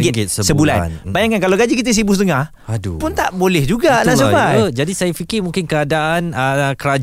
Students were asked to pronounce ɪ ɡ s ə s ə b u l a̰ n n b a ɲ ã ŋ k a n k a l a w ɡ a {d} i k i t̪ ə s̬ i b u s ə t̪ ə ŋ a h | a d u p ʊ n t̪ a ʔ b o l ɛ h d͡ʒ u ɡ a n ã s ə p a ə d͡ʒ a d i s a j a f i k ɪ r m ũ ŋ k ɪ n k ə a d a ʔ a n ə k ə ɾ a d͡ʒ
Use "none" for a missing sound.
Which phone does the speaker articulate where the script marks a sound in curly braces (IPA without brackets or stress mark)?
d͡ʒ